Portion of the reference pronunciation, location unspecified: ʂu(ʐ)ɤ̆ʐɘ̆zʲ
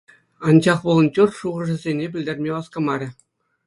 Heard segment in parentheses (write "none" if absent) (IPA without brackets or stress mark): ʁ